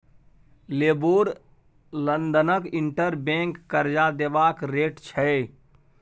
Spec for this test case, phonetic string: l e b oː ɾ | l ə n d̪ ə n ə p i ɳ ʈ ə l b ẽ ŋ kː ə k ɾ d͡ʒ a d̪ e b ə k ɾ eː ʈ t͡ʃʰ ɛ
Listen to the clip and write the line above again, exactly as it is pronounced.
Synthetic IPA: l e b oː ɾ | l ə n d̪ ə n ə k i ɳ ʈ ə ɾ b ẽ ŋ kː ə ɾ d͡ʒ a d̪ e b a k ɾ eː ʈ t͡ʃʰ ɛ

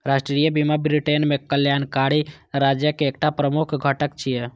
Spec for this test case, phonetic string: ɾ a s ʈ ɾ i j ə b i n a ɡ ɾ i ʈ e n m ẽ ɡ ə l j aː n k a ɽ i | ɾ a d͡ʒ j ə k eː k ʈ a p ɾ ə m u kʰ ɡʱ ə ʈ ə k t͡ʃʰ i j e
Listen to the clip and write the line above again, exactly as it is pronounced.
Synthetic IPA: ɾ a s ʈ ɾ i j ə b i m a b ɾ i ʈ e n m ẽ k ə l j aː n k a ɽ i | ɾ a d͡ʒ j ə k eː k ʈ a p ɾ ə m u kʰ ɡʱ ə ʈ ə k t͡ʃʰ i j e

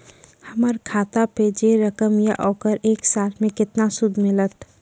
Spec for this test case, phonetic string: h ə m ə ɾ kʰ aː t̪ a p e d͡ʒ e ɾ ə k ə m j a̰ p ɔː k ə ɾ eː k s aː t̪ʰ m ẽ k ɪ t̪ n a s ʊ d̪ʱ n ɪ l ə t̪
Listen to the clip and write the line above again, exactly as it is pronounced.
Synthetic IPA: h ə m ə ɾ kʰ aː t̪ a p e d͡ʒ e ɾ ə k ə m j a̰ ʔ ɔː k ə ɾ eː k s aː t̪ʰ m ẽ k ɪ t̪ n a s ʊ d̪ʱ m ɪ l ə t̪

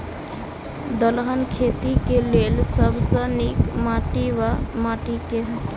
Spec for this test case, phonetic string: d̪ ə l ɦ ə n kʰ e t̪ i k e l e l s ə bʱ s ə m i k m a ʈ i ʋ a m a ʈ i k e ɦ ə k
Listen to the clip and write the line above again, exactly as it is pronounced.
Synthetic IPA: d̪ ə l ɦ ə n kʰ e t̪ i k e l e l s ə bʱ s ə n i k m a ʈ i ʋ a m a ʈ i k e ɦ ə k

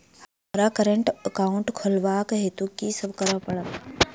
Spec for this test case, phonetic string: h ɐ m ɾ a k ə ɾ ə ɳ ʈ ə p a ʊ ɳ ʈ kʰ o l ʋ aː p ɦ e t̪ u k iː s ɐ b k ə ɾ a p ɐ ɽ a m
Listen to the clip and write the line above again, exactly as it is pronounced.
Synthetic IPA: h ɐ m ɾ a k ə ɾ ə ɳ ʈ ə k a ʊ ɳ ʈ kʰ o l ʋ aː k ɦ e t̪ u k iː s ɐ b k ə ɾ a p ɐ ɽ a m

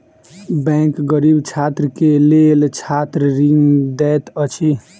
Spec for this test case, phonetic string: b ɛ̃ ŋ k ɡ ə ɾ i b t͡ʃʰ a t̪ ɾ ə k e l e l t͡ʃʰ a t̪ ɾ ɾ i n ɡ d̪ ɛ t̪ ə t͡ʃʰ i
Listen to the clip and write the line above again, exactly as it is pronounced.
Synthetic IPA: b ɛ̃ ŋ k ɡ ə ɾ i b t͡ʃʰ a t̪ ɾ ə k e l e l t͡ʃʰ a t̪ ɾ ɾ i ŋ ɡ d̪ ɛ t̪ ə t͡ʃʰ i

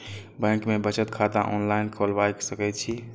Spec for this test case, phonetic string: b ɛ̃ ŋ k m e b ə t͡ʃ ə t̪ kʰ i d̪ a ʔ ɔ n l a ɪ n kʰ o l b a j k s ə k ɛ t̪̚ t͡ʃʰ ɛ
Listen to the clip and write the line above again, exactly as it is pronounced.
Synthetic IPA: b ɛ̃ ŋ k m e b ə t͡ʃ ə t̪ kʰ a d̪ a ʔ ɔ n l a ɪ n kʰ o l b a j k s ə k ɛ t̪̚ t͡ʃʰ i

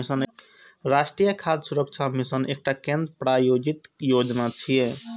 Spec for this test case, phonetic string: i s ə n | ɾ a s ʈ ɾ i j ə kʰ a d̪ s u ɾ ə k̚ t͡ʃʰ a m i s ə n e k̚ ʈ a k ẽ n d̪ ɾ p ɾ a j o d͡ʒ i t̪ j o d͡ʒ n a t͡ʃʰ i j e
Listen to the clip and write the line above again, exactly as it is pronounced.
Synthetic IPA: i s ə n | ɾ a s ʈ ɾ i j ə kʰ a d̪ s u ɾ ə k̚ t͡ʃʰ a m i s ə n e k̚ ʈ a k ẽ n d̪ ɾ p ɾ a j o d͡ʒ i t̪ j o d͡ʒ n a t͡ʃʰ i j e

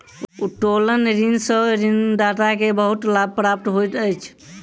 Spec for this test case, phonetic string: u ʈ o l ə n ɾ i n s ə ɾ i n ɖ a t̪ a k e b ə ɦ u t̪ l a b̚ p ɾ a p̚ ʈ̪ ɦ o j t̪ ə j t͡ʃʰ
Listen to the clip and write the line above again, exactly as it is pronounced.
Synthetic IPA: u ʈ o l ə n ɾ i n s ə ɾ i n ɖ a t̪ a k e b ə ɦ u t̪ l a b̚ p ɾ a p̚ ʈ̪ ɦ o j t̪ ə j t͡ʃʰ

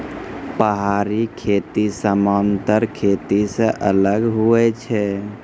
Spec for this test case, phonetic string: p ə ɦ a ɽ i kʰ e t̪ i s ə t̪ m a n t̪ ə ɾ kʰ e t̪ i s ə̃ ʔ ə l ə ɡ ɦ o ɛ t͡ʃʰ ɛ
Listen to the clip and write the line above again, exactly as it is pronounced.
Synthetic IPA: p ə ɦ a ɾ i kʰ e t̪ i s ə m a n t̪ ə ɾ kʰ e t̪ i s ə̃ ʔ ə l ə ɡ ɦ u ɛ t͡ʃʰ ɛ

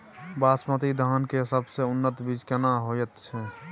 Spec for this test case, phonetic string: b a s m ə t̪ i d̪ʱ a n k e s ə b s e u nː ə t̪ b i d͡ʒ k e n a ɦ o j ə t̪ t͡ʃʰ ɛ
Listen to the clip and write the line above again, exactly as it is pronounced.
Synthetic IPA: b a s m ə t̪ i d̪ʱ a n k e s ə b s e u nː ə t̪ b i d͡ʒ k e n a ɦ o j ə t̪ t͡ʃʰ ɛ

